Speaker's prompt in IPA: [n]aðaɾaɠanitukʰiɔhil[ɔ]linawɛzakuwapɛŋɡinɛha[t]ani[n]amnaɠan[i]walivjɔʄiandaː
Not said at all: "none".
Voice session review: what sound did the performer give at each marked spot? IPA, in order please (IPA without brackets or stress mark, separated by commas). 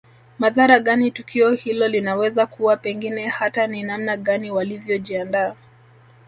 m, ɔ, t, n, i